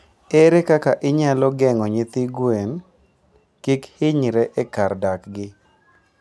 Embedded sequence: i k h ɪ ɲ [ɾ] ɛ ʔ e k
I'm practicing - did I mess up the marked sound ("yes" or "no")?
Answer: no